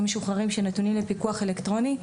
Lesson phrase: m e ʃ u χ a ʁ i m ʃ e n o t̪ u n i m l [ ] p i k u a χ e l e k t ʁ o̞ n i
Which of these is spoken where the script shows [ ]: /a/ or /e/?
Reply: e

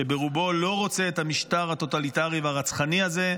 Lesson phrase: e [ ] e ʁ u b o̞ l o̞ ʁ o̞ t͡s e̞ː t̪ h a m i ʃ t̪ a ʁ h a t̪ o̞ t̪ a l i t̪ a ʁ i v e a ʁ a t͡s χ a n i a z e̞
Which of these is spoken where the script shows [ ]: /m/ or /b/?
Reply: b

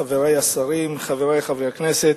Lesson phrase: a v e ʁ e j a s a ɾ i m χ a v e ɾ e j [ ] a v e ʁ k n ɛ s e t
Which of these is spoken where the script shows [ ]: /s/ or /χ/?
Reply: χ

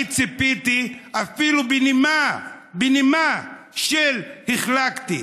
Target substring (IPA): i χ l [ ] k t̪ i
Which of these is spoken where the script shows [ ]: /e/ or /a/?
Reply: a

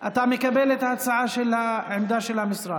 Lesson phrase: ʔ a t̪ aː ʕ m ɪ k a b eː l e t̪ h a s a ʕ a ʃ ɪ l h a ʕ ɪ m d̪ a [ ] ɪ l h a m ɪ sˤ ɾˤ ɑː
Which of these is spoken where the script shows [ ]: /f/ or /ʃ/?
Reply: ʃ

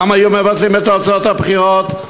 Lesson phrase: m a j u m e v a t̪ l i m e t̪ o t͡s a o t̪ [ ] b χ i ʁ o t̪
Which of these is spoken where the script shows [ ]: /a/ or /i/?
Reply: a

